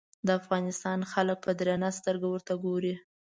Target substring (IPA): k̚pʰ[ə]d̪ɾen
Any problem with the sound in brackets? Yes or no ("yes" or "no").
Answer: no